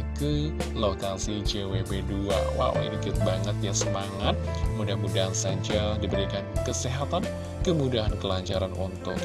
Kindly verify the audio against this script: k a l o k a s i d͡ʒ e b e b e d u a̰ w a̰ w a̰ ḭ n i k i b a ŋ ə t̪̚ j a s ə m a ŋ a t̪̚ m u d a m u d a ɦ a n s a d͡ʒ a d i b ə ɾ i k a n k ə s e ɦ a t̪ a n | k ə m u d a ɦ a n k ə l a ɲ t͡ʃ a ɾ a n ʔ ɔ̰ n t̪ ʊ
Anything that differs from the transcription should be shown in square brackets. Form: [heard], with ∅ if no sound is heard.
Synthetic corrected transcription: k [ə] l o k a s i d͡ʒ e [w] e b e d u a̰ w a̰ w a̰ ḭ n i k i b a ŋ ə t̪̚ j a s ə m a ŋ a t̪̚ m u d a m u d a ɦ a n s a d͡ʒ a d i b ə ɾ i k a n k ə s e ɦ a t̪ a n | k ə m u d a ɦ a n k ə l a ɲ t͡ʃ a ɾ a n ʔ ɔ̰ n t̪ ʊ